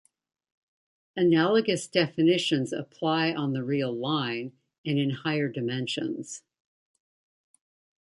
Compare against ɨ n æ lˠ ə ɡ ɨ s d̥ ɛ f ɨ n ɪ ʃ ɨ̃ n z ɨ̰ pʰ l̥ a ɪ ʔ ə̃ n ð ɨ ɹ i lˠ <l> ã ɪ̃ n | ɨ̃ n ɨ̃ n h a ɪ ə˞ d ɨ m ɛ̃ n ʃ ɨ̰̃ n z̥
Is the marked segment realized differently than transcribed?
no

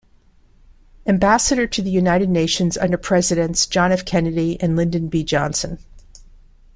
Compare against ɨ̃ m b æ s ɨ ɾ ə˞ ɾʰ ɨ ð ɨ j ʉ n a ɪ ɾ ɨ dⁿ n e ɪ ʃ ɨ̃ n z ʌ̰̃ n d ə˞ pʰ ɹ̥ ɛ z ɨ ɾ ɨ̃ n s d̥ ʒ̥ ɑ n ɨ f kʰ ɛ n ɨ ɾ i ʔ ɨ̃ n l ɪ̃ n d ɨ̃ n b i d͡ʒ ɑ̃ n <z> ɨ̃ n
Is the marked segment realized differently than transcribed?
yes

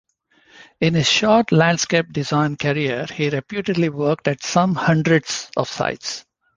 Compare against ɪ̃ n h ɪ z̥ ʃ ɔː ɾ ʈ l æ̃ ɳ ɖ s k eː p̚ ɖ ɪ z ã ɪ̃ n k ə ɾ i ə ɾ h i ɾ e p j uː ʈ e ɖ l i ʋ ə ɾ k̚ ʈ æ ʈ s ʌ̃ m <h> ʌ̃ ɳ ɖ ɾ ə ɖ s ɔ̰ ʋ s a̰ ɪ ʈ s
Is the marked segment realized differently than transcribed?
no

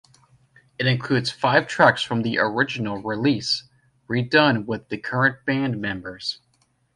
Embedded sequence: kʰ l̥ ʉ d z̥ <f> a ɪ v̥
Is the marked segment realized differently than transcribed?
no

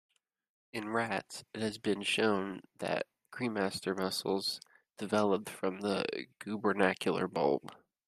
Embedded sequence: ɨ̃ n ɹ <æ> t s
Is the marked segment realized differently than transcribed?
no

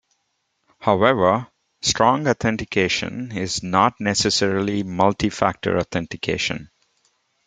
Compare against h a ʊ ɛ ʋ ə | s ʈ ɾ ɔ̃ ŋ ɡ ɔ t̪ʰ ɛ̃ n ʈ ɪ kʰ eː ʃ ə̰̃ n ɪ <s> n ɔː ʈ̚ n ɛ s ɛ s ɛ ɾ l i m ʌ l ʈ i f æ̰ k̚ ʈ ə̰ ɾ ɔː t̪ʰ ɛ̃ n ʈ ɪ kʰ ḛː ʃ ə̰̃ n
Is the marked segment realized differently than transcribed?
yes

